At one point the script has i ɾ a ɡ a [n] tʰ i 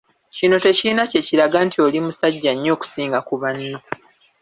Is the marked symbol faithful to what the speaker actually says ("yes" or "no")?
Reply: yes